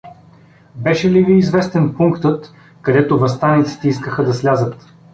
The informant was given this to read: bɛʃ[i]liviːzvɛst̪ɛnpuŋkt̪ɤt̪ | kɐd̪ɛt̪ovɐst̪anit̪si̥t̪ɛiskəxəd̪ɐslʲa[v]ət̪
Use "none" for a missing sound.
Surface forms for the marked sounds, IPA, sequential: ɛ, z

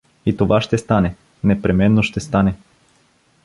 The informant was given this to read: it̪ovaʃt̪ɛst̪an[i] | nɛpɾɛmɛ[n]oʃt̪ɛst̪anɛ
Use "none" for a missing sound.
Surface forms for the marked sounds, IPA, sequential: ɛ, nː

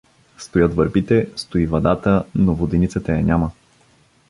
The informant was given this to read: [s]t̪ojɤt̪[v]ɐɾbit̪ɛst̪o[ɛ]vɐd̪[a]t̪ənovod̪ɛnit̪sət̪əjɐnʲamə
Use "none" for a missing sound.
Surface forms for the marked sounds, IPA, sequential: s, v, i, a

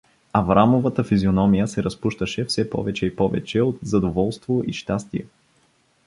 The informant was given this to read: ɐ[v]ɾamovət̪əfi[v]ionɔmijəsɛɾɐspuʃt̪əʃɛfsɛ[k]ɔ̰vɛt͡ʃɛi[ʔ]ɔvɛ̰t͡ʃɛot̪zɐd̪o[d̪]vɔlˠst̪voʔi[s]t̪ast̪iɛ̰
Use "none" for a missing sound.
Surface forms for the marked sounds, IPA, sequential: v, z, p, p, none, ʃ

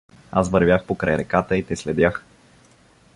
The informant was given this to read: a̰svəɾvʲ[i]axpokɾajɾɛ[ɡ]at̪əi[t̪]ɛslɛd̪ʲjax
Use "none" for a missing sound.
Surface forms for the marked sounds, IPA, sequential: j, k, t̪

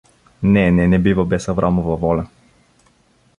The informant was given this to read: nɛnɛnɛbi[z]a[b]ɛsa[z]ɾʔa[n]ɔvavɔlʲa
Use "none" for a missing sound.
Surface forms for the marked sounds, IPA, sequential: v, b, v, m

